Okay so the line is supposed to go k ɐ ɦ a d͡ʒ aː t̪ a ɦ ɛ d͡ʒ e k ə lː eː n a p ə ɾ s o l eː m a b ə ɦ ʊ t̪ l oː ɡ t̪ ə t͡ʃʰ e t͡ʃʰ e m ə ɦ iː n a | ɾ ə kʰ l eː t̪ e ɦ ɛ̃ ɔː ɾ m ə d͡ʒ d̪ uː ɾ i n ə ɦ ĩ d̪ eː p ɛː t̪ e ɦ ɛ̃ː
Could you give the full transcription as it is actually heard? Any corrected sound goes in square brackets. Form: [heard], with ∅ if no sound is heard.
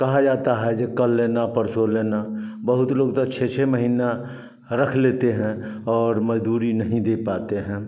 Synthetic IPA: k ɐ ɦ a d͡ʒ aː t̪ a ɦ ɛ d͡ʒ e k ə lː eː n a p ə ɾ s o l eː [n] a b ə ɦ ʊ t̪ l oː ɡ t̪ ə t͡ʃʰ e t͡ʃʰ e m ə ɦ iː n a | ɾ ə kʰ l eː t̪ e ɦ ɛ̃ ɔː ɾ m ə d͡ʒ d̪ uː ɾ i n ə ɦ ĩ d̪ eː p [aː] t̪ e ɦ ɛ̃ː